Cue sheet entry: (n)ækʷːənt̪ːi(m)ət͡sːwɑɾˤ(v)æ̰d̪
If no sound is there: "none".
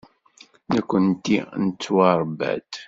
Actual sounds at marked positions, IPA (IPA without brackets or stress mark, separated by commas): n, n, b